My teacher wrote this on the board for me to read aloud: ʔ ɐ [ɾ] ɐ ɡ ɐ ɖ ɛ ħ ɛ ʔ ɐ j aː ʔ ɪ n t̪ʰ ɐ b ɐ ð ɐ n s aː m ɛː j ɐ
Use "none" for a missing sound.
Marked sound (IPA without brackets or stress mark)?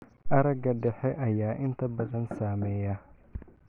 ɾ